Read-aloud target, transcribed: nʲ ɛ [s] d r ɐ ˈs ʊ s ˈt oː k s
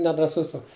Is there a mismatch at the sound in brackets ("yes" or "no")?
yes